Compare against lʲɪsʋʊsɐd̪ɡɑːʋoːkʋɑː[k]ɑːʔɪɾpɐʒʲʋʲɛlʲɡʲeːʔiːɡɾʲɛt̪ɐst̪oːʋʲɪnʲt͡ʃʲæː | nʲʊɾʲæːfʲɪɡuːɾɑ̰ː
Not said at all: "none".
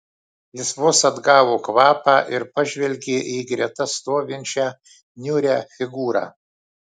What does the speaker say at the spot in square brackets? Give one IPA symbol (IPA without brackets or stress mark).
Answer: p